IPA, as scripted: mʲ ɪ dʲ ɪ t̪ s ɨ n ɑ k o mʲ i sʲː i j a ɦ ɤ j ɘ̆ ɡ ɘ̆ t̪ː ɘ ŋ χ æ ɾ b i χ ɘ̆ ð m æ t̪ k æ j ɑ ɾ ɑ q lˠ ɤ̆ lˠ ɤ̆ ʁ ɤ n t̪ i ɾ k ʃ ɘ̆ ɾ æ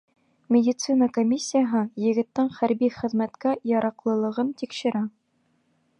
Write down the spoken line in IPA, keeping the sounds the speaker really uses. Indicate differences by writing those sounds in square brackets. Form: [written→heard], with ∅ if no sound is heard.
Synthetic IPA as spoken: mʲ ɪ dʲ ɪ t̪ s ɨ n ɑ k o mʲ i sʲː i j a ɦ ɤ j ɘ̆ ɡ ɘ̆ t̪ː ɘ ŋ χ æ ɾ b i χ ɘ̆ ð m æ t̪ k æ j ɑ ɾ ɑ q lˠ ɤ̆ lˠ ɤ̆ ʁ ɤ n t̪ i [ɾ→∅] k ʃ ɘ̆ ɾ æ